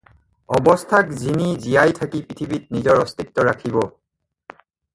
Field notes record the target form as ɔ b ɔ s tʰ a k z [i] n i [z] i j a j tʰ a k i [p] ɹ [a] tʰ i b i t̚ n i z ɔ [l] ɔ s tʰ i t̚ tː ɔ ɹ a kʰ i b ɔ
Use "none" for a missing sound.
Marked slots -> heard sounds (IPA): i, z, p, i, ɹ

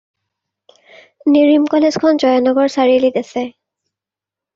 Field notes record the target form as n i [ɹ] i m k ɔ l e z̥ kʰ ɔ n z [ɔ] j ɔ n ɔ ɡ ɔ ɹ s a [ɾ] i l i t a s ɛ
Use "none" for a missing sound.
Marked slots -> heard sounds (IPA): ɹ, ɔ, ɹ

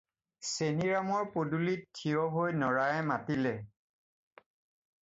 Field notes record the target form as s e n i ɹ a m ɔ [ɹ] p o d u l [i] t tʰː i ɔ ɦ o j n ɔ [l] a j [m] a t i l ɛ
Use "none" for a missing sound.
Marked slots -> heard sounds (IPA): ɹ, i, ɹ, m

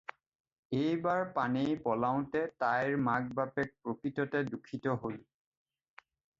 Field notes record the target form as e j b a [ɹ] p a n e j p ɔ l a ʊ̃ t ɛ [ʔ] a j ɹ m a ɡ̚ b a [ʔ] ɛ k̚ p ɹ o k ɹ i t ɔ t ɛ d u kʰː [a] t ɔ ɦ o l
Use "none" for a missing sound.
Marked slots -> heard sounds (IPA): ɹ, t, p, i

